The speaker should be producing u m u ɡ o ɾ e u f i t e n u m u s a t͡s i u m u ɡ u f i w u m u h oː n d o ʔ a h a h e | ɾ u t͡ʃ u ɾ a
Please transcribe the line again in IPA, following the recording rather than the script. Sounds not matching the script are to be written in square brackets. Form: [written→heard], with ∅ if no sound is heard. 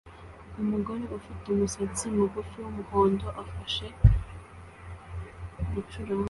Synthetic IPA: u m u ɡ o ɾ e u f i t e [n→∅] u m u s a t͡s i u m u ɡ u f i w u m u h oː n d o ʔ a [h→f] a [h→ʃ] e | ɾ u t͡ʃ u ɾ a